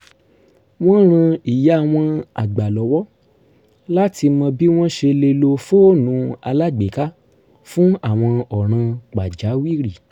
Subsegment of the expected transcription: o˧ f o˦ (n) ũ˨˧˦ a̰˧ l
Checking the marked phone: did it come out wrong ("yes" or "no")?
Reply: no